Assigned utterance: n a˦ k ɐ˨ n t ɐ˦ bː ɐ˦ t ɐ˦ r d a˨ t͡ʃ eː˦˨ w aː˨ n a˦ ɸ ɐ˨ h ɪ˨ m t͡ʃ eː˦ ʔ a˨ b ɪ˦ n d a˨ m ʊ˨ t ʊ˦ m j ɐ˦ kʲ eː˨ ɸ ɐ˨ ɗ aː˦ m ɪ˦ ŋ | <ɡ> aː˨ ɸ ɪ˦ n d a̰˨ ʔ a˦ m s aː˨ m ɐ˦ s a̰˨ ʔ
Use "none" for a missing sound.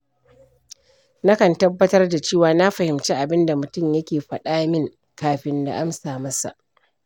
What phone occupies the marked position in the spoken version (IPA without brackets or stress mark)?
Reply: k